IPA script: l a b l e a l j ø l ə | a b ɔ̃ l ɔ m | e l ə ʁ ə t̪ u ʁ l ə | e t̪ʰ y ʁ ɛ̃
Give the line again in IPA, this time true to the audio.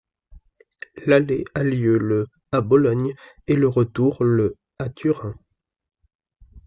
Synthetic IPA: l a l e a l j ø l ə | a b ɔ l ɔ ɲ | e l ə ʁ ə t̪ u ʁ l ə | a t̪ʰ y ʁ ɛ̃

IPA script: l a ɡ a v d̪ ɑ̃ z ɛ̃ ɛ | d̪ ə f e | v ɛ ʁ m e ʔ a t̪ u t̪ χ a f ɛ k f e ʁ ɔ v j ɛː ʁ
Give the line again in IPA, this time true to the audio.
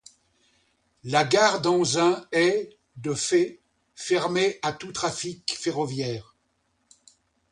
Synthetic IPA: l a ɡ a ʁ d̪ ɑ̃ z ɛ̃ ɛ | d̪ ə f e | f ɛ ʁ m e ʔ a t̪ u t̪ χ a f i k f e ʁ ɔ v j ɛː ʁ

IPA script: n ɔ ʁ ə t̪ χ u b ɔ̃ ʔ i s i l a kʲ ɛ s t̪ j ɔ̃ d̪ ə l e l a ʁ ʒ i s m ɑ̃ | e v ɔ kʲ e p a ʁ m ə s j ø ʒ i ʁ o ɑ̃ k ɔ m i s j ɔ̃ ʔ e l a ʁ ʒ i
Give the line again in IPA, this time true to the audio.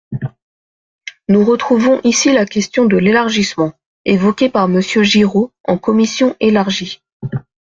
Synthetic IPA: n u ʁ ə t̪ χ u v ɔ̃ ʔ i s i l a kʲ ɛ s t̪ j ɔ̃ d̪ ə l e l a ʁ ʒ i s m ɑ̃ | e v ɔ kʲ e p a ʁ m ə s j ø ʒ i ʁ o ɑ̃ k ɔ m i s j ɔ̃ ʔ e l a ʁ ʒ i

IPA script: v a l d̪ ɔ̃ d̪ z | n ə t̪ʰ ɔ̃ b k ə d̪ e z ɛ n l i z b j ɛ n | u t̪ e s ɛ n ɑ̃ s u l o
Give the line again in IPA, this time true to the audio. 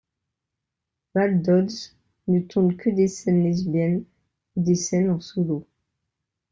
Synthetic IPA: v a l d̪ ɔ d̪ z | n ə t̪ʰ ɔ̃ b k ə d̪ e s ɛ n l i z b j ɛ n | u d̪ e s ɛ n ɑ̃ s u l o

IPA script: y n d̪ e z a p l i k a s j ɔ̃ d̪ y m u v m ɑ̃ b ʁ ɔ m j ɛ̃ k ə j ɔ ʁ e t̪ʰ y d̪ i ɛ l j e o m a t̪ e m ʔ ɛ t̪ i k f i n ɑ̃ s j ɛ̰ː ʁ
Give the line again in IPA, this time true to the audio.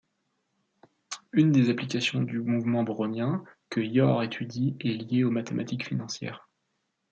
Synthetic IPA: y n d̪ e z a p l i k a s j ɔ̃ d̪ y m u v m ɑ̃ b ʁ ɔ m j ɛ̃ k ə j ɔ ʁ e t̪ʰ y d̪ i ɛ l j e o m a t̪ e m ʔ a t̪ i k f i n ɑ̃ s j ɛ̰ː ʁ

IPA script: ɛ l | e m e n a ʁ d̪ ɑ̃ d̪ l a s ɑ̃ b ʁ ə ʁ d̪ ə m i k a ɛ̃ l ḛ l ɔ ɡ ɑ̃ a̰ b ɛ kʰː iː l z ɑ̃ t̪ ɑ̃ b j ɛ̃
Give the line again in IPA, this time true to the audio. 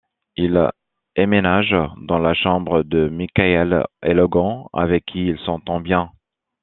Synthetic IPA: i l | e m e n a ʒ d̪ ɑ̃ l a ʃ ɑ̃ b ʁ ə d̪ ə m i k a ɛ l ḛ l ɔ ɡ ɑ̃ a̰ v ɛ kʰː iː l s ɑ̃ t̪ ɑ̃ b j ɛ̃

